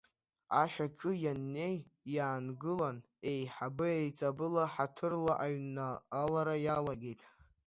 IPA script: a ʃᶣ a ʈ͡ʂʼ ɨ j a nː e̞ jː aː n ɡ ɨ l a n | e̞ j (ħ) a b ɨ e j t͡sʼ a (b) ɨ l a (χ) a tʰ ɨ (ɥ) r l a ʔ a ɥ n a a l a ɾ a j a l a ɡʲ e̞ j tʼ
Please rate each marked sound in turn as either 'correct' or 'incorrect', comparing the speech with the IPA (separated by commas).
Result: correct, correct, incorrect, incorrect